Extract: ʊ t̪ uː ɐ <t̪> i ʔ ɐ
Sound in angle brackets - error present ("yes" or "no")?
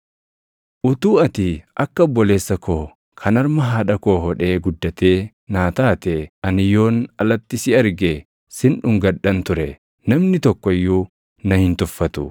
no